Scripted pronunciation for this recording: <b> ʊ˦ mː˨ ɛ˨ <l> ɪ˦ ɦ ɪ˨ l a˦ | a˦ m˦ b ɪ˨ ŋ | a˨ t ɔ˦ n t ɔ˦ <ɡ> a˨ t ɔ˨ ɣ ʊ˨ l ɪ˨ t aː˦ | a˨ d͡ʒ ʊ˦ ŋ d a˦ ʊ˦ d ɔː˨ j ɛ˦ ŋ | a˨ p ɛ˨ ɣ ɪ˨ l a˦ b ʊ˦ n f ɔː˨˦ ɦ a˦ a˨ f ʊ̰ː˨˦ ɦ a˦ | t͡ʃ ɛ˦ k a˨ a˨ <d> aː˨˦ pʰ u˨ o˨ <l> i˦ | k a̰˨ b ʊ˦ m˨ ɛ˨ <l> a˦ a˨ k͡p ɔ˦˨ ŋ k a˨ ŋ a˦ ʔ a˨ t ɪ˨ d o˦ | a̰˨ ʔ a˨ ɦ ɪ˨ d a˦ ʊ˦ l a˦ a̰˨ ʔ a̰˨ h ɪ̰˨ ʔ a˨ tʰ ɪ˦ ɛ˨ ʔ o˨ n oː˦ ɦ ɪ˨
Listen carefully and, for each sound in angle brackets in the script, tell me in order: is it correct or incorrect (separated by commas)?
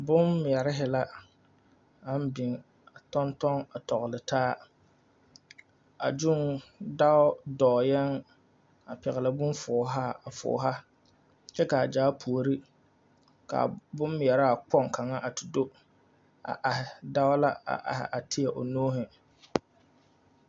correct, incorrect, incorrect, incorrect, incorrect, incorrect